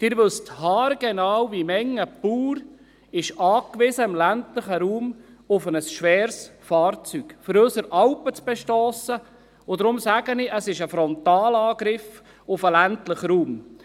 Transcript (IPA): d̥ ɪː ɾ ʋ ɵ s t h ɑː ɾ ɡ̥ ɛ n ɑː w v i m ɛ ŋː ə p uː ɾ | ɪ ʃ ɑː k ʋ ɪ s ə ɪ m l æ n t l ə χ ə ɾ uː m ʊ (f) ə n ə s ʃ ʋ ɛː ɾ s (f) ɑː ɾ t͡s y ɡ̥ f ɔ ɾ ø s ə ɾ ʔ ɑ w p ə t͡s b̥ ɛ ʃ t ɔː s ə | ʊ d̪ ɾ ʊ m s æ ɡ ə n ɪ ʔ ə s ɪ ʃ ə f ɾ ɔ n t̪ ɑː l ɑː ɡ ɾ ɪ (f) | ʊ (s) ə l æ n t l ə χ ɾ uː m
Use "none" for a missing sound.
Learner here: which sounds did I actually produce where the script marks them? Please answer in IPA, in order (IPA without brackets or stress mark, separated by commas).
f, f, f, f